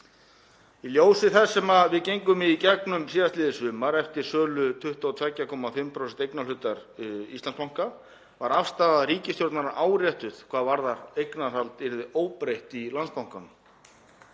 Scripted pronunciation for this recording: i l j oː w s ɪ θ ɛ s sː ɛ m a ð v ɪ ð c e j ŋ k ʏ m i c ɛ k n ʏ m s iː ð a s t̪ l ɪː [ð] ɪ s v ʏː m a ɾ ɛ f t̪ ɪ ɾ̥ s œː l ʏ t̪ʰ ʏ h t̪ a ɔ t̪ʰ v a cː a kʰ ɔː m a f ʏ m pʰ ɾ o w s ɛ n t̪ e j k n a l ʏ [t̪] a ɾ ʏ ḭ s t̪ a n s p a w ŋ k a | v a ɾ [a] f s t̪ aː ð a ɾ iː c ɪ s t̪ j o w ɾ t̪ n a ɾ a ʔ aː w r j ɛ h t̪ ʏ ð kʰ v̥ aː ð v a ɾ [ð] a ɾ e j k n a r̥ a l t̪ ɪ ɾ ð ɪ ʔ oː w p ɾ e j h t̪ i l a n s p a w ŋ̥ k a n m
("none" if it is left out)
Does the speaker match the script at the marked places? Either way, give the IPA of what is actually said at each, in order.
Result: ð, t̪, a, ð

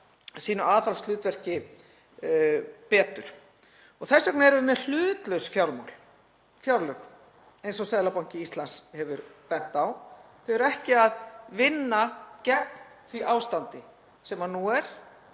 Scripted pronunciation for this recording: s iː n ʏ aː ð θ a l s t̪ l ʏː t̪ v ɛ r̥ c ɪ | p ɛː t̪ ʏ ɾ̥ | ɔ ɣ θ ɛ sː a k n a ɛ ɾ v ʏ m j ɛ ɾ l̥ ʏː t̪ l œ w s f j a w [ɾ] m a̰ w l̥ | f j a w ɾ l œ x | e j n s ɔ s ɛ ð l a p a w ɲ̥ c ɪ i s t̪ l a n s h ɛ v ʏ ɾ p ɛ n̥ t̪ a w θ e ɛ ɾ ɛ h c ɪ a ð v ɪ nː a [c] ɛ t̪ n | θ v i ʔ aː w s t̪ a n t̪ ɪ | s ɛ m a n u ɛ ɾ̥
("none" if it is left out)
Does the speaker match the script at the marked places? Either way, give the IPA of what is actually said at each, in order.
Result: l, c

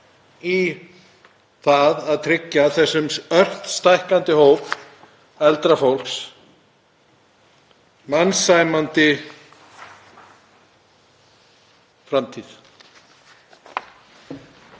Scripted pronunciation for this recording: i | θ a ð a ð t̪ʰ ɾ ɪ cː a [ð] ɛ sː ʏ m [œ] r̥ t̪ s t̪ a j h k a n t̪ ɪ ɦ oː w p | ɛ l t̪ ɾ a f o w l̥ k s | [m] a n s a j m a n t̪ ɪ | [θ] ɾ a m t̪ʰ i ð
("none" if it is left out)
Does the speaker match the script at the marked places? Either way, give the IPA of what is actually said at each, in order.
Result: θ, œ, m, f

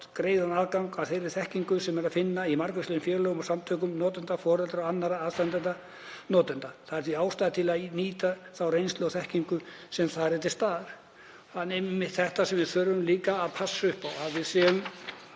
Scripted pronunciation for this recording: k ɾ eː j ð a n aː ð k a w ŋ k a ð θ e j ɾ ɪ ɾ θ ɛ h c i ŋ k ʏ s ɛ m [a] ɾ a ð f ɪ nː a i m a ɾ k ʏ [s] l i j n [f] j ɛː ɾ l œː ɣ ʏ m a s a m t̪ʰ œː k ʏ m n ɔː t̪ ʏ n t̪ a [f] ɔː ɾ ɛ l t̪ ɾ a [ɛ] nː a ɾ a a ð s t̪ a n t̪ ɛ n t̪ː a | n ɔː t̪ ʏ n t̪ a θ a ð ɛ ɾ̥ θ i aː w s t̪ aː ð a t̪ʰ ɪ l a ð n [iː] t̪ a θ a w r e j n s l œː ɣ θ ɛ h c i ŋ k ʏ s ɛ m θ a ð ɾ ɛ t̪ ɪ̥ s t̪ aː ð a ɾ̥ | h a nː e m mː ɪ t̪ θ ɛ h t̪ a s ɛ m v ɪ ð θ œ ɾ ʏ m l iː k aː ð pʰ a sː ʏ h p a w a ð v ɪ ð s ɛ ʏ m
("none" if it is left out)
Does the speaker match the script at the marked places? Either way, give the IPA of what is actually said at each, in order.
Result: ɛ, s, f, f, a, iː

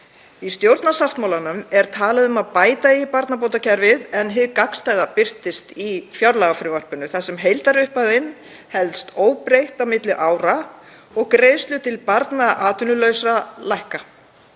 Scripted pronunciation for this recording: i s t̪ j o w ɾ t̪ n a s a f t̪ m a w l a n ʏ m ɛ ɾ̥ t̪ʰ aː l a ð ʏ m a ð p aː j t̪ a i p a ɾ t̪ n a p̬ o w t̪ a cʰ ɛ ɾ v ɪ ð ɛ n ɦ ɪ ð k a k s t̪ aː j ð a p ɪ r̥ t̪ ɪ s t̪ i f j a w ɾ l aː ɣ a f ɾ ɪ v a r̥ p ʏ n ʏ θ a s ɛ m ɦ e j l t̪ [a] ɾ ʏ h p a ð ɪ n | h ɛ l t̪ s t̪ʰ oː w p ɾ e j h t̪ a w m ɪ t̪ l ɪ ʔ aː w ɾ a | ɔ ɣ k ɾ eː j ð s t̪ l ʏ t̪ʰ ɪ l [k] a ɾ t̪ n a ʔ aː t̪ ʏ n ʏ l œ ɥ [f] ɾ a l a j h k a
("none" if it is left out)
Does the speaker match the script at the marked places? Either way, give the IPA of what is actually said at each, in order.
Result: a, p, s

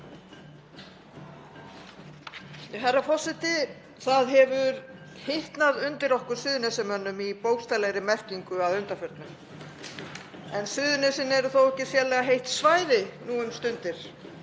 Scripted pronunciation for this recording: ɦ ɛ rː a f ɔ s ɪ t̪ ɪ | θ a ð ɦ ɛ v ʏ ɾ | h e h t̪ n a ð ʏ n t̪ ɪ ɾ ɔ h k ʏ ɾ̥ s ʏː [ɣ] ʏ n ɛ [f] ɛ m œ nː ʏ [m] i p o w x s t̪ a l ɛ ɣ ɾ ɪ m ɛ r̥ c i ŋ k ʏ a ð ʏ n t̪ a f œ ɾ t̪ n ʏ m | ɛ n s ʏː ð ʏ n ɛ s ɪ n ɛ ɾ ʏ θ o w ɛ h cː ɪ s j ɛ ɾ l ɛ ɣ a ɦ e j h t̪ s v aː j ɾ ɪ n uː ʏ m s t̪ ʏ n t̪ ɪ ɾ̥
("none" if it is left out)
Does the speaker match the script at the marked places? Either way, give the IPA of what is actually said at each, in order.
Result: ð, s, m

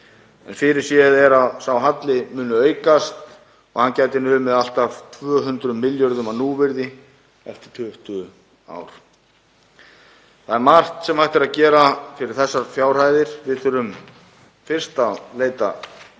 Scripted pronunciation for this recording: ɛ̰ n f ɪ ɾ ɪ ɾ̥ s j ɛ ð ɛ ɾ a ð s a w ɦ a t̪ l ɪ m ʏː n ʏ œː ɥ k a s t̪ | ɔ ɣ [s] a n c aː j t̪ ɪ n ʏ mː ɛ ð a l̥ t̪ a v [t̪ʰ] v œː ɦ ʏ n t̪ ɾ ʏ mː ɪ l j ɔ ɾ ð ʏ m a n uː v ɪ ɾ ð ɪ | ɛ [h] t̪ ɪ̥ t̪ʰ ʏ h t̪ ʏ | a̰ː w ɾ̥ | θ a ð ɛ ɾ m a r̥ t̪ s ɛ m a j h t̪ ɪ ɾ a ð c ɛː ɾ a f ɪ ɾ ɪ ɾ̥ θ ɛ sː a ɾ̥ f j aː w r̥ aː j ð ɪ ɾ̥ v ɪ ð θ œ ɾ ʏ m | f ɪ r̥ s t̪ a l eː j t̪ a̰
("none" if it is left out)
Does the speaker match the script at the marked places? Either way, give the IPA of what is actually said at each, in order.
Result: h, t̪ʰ, f

